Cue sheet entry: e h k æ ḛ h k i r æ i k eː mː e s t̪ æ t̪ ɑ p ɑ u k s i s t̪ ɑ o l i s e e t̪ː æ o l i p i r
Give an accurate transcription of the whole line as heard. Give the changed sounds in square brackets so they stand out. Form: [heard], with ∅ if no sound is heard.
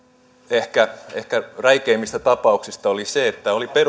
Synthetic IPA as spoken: e h k æ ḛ h k [æ] r æ i k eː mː [i] s t̪ æ t̪ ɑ p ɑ u k s i s t̪ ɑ o l i s e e t̪ː æ o l i p [e] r